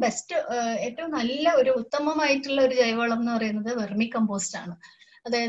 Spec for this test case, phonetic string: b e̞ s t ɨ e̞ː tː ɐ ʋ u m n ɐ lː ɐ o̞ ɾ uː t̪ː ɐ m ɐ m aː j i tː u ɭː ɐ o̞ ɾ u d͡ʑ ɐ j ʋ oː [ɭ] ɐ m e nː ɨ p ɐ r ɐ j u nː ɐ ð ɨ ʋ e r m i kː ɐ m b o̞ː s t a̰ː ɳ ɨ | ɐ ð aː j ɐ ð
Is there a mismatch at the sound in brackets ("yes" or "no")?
no